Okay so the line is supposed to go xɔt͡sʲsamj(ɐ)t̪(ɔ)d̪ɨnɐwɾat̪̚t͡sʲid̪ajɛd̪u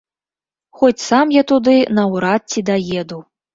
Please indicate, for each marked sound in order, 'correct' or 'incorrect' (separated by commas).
incorrect, incorrect